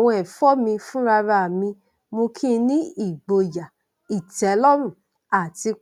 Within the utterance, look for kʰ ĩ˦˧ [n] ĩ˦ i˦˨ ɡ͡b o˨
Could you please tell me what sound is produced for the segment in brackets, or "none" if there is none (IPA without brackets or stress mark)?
n